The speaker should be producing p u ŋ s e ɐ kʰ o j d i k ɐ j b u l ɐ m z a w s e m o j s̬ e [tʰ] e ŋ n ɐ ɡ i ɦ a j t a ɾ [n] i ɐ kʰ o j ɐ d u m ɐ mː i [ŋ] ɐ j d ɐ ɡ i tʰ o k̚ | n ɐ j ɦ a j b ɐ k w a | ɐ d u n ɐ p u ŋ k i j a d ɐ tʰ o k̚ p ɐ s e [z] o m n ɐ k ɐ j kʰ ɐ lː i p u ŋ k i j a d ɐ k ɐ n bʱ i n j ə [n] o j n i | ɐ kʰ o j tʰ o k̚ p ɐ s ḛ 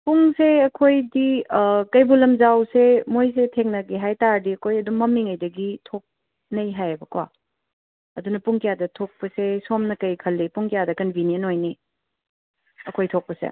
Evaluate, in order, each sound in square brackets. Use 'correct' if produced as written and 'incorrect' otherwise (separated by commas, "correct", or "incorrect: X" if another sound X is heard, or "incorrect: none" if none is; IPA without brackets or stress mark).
correct, incorrect: d, correct, incorrect: s, correct